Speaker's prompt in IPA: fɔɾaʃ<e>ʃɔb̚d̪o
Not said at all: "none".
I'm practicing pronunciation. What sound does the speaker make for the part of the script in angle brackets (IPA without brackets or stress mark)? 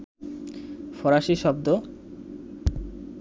i